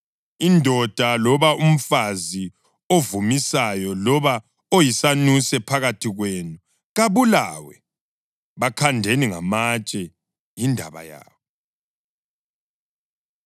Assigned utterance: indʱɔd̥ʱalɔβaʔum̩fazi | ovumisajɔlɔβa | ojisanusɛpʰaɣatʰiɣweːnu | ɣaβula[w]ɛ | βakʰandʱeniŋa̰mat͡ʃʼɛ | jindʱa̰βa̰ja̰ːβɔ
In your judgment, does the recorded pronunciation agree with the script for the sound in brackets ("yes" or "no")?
yes